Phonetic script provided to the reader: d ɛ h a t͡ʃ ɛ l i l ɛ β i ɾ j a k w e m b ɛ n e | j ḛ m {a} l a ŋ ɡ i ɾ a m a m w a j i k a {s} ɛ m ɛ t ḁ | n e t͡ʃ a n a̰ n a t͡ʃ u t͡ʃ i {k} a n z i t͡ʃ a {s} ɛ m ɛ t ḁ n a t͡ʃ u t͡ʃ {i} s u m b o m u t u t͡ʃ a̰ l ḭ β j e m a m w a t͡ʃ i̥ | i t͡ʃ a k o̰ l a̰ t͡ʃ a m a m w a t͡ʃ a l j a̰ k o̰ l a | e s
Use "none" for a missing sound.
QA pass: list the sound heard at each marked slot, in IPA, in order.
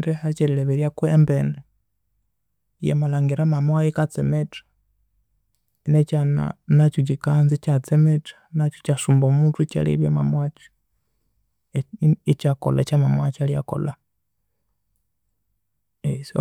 a, t͡s, k, t͡s, a

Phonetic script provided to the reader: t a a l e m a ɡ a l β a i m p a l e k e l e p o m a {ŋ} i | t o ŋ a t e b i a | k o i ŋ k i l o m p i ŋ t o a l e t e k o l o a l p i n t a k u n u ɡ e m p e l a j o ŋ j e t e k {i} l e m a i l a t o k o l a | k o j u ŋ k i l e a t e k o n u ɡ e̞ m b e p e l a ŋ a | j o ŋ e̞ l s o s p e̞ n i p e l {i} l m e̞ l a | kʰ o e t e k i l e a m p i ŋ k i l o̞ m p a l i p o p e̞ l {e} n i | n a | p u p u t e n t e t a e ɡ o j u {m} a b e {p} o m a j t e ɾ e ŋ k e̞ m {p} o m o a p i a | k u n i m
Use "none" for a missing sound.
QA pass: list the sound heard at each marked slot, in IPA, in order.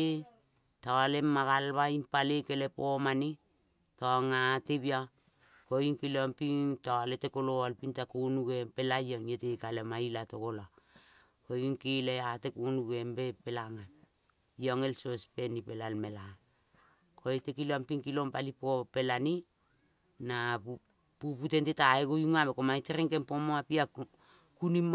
n, a, a, a, ŋ, k, p

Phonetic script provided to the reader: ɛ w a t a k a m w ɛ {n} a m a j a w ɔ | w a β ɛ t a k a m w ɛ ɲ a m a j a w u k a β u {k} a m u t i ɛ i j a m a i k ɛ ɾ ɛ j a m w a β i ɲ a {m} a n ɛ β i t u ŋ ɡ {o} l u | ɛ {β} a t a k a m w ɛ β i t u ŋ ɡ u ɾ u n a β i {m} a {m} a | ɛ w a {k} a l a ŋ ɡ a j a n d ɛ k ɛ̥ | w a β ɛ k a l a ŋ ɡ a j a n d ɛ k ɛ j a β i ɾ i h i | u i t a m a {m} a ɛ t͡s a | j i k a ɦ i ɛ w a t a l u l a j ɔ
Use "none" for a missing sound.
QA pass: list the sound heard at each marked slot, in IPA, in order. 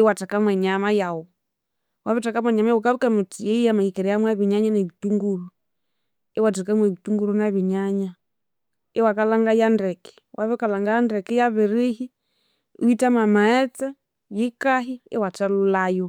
ɲ, k, ɲ, u, w, ɲ, ɲ, k, m

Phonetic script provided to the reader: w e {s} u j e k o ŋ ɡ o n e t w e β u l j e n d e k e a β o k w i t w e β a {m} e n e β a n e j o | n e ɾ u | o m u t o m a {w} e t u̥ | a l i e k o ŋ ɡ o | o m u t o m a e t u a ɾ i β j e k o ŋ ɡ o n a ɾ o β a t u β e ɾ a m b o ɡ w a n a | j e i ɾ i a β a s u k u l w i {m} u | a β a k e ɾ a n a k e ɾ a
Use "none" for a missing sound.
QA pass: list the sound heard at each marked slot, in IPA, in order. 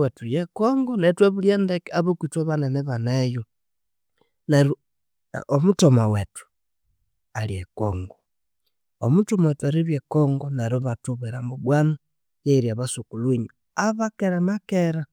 t, n, w, ɲ

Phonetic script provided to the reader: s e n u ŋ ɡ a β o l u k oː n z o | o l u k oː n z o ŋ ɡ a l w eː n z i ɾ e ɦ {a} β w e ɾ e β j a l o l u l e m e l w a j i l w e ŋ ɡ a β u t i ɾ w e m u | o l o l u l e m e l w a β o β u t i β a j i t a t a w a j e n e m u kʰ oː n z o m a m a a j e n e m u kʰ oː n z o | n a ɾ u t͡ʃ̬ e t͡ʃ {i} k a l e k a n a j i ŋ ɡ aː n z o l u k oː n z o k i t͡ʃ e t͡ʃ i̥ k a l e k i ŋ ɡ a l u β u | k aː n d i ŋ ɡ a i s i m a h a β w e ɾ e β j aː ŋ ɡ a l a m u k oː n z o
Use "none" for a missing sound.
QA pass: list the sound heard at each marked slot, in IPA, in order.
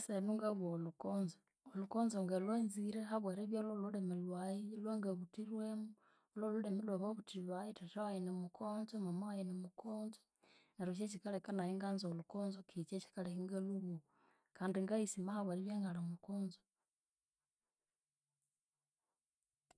a, i

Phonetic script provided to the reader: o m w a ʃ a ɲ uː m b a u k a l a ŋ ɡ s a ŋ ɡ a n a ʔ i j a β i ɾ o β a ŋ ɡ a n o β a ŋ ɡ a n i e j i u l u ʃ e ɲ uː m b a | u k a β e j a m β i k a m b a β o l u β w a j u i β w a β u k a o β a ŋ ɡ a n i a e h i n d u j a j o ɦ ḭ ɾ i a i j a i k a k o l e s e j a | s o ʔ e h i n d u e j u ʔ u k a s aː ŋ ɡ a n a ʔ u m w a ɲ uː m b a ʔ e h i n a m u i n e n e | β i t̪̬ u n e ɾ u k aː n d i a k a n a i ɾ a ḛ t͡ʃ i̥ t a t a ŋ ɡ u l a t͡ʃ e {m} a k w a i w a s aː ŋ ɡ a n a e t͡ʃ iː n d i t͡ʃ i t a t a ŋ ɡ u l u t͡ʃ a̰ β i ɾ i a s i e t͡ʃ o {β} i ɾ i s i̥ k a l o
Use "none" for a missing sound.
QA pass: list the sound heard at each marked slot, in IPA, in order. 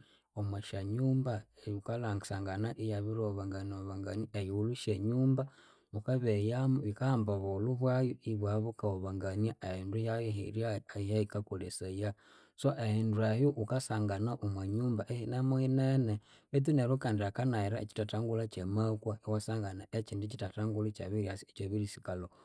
m, β

